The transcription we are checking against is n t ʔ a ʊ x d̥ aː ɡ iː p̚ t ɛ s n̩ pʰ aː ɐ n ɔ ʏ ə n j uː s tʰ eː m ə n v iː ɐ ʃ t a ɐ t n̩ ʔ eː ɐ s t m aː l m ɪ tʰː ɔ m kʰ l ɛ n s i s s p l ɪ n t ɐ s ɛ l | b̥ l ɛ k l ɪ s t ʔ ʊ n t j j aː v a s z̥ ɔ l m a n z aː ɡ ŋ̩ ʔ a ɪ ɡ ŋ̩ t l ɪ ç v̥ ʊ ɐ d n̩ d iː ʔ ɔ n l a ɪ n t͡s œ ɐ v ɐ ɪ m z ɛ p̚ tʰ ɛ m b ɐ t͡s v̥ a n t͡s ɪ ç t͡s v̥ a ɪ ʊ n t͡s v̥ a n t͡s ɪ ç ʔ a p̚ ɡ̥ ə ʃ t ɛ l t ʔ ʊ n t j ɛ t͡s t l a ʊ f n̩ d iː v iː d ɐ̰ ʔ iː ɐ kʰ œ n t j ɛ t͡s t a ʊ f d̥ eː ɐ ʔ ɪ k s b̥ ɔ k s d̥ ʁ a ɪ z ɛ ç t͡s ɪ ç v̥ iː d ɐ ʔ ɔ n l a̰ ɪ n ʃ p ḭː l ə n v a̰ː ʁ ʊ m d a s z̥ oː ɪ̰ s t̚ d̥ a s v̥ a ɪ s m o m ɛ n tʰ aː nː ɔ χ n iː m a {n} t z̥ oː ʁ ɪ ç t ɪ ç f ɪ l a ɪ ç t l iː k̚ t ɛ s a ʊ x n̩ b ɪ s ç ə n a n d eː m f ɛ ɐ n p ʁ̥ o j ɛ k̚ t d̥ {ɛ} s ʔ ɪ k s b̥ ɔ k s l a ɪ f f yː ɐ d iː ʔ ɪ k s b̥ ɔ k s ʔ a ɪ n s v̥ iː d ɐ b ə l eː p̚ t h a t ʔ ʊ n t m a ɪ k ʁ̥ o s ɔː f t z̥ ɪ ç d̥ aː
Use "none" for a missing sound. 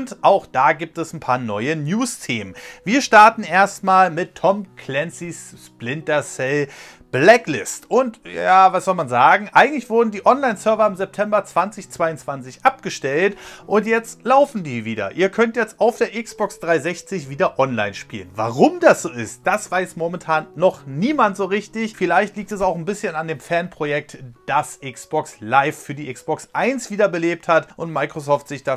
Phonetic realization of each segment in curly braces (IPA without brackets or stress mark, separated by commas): n, a